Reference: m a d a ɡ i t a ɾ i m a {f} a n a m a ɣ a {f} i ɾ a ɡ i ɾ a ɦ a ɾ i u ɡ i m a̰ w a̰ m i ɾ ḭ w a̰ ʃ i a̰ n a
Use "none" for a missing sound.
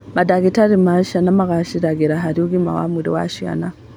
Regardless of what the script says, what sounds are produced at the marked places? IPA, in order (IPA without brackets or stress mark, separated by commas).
ʃ, ʃ